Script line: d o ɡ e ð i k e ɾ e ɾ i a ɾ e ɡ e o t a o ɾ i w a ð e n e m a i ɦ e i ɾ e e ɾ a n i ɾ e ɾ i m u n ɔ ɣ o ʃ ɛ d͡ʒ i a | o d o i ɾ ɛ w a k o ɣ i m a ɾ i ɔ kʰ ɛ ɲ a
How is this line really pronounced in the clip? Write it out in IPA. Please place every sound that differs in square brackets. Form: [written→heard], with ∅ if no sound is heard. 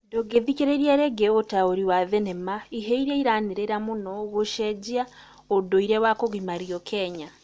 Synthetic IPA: d o ɡ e ð i k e ɾ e ɾ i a ɾ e ɡ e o t a o ɾ i w a ð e n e m a i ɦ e i ɾ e [e→i] ɾ a n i ɾ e ɾ [i→a] m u n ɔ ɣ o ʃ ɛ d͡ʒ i a | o d o i ɾ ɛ w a k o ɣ i m a ɾ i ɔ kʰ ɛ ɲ a